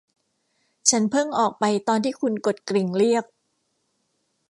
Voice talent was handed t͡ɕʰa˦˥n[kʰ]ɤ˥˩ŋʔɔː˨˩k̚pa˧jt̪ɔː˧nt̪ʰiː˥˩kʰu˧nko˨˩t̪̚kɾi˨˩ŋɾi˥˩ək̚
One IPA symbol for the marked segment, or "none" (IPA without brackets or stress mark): pʰ